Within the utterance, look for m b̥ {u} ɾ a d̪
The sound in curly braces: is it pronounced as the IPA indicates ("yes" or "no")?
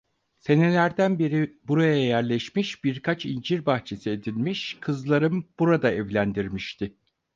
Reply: yes